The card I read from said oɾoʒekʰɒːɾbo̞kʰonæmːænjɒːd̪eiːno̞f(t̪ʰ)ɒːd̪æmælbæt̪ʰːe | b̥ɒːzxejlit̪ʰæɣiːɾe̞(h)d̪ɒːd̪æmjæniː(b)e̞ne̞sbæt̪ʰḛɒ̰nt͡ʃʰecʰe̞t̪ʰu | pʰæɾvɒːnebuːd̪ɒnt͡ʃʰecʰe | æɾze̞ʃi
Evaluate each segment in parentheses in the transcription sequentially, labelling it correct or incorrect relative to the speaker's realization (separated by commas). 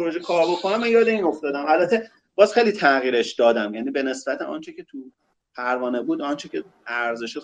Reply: incorrect, incorrect, correct